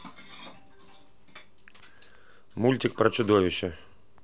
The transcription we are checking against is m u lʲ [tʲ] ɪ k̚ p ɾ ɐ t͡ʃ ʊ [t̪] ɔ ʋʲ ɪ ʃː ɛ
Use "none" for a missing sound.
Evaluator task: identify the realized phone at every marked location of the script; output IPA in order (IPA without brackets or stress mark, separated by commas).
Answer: tʲ, d̪